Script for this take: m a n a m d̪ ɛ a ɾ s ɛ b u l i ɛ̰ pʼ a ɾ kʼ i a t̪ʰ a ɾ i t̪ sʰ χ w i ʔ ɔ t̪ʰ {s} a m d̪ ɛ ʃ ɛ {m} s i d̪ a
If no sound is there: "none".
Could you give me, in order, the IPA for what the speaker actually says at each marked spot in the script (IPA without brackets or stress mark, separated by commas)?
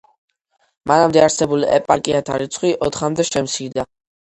χ, m